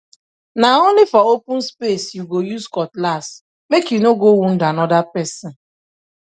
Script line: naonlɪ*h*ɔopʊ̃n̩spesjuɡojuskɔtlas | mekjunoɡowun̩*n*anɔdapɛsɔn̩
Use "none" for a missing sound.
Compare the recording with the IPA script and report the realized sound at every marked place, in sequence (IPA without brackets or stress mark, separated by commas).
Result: f, d